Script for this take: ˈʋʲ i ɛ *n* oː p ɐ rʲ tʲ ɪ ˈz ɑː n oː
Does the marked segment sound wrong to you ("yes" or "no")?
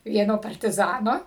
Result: no